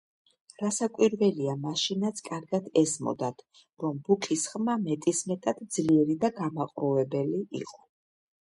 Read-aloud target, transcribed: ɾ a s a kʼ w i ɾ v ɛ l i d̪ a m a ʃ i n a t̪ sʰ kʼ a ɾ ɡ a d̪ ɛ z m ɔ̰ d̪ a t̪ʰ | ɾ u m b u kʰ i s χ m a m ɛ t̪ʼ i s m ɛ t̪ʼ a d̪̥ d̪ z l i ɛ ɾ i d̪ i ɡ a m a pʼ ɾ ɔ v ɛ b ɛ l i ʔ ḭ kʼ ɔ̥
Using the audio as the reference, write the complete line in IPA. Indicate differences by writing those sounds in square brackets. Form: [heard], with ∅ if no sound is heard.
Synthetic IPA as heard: ɾ a s a kʼ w i ɾ v ɛ l i [∅] a m a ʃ i n a t̪ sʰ kʼ a ɾ ɡ a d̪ ɛ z m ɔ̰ d̪ a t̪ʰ | ɾ [ɔ] m b u kʰ i s χ m a m ɛ t̪ʼ i s m ɛ t̪ʼ a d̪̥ d̪ z l i ɛ ɾ i d̪ [a] ɡ a m a [qʼ] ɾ ɔ v ɛ b ɛ l i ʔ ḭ [qʼ] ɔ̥